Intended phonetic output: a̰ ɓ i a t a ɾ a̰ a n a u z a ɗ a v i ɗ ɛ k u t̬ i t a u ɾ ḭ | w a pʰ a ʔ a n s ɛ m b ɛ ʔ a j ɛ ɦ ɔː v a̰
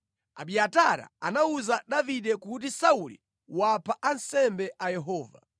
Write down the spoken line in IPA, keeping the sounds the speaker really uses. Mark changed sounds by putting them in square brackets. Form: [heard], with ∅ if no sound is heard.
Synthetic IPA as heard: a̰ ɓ i a t a ɾ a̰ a n a u z a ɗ a v i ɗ ɛ k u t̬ i [s] a u [l] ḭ | w a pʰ a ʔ a n s ɛ m b ɛ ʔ a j ɛ ɦ ɔː v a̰